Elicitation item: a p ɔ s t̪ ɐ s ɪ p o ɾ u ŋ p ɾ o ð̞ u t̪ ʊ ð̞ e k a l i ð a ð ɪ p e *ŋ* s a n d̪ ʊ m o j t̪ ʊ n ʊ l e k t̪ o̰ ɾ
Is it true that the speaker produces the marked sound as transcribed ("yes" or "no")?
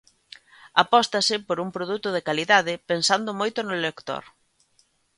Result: no